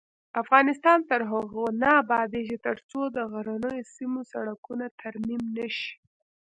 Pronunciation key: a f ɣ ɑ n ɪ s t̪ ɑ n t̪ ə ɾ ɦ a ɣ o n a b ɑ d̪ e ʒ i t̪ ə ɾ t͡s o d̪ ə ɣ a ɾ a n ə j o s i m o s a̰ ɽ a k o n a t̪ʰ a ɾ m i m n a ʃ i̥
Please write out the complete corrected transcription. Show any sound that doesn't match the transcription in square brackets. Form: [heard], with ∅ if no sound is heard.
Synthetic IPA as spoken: a f ɣ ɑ n ɪ s t̪ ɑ n t̪ ə ɾ ɦ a ɣ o n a b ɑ d̪ e ʒ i t̪ ə ɾ t͡s o d̪ ə ɣ a ɾ a n ə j o s i m o s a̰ ɽ a k [u] n a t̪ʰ a ɾ m i m n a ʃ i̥